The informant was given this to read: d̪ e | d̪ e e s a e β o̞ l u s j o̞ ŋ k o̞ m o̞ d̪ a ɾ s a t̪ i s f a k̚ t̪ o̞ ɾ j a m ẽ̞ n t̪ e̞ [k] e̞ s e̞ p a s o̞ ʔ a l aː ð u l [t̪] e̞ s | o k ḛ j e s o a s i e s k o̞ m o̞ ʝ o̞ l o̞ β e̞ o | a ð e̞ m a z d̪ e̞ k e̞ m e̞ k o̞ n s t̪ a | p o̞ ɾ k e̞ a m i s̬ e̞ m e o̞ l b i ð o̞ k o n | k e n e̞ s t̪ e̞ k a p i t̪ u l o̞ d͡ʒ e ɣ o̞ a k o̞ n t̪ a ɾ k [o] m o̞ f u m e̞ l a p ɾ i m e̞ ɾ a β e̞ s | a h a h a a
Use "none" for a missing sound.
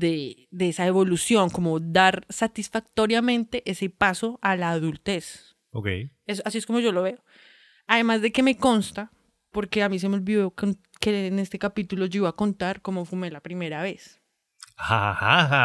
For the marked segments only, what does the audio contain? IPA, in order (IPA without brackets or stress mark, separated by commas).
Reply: ʔ, t̪, o